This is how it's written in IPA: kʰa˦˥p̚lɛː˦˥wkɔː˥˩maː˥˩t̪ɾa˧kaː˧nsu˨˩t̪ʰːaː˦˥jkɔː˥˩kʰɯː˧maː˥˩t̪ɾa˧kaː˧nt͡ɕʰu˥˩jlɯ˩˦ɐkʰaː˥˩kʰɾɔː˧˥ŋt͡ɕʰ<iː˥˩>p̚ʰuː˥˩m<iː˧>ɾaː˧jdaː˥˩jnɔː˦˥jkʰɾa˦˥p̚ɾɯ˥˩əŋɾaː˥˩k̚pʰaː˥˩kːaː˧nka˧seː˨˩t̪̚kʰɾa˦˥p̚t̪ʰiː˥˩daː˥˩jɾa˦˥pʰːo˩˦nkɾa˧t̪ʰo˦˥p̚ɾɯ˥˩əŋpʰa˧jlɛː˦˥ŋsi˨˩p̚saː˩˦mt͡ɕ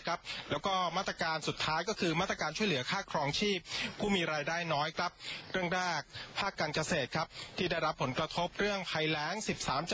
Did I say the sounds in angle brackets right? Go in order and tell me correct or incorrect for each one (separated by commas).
correct, correct